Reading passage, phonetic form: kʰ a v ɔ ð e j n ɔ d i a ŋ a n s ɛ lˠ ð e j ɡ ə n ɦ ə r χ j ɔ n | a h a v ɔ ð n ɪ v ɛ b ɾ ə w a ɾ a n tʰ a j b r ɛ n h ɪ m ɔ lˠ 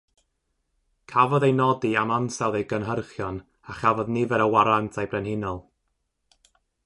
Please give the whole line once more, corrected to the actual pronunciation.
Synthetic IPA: kʰ a v ɔ ð e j n ɔ d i a m a n s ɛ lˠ ð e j ɡ ə n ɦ ə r χ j ɔ n | a χ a v ɔ ð n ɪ v ɛ ɾ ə w a ɾ a n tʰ a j b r ɛ n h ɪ n ɔ lˠ